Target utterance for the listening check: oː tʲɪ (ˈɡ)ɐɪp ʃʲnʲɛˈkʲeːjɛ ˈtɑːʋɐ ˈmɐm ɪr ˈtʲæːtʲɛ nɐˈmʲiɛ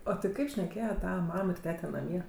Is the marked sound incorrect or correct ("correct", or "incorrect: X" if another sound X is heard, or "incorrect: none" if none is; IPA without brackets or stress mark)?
incorrect: k